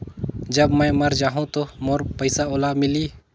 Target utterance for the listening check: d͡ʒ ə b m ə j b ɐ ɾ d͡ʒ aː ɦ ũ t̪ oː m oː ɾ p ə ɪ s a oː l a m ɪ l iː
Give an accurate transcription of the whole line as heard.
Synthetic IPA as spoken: d͡ʒ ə b m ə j m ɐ ɾ d͡ʒ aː ɦ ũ t̪ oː m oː ɾ p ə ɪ s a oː l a m ɪ l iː